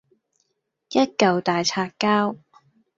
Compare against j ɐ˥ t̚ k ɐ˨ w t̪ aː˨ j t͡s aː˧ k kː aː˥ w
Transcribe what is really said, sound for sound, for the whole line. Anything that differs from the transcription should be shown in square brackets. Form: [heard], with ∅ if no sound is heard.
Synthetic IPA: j ɐ˥ t̚ k ɐ˨ w t̪ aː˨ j [t͡sʰ] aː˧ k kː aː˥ w